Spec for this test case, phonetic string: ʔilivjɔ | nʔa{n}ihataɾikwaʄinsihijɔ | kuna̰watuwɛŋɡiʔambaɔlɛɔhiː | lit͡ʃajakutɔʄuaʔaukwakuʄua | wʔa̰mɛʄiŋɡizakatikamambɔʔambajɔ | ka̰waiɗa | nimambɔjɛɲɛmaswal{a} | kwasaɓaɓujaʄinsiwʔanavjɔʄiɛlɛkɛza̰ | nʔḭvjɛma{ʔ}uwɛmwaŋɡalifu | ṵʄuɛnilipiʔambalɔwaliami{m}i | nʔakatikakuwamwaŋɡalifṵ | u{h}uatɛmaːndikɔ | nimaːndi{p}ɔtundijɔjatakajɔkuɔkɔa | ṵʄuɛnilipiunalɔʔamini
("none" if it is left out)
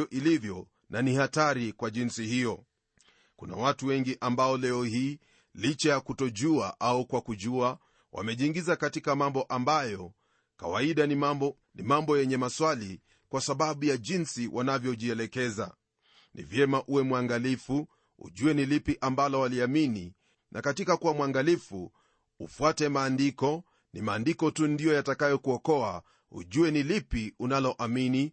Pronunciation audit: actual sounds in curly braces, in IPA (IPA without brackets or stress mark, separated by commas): n, i, ʔ, n, f, k